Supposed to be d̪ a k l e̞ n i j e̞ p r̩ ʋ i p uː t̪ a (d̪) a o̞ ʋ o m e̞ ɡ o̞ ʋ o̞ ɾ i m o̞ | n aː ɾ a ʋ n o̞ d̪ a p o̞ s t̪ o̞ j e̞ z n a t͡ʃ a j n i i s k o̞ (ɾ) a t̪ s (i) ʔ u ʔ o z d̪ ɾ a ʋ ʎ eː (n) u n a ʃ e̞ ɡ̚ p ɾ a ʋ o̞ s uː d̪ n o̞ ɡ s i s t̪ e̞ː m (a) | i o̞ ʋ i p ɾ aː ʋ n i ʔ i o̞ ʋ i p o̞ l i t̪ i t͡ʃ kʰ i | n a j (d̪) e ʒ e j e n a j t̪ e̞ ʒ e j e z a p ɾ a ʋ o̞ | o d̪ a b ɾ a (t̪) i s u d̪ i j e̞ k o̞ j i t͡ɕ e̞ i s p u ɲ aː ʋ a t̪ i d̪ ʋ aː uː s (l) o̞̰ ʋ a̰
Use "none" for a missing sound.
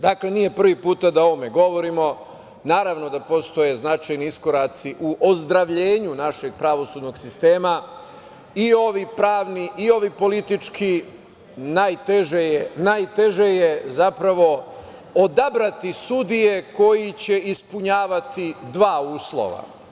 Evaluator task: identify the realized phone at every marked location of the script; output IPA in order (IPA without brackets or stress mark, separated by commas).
d̪, ɾ, i, ɲ, a, t̪, t̪, l